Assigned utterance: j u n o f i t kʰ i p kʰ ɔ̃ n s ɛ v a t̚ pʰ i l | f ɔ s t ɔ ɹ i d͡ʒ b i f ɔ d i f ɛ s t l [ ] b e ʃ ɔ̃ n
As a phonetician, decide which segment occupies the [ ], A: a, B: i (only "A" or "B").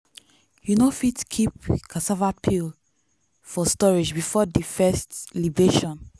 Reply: B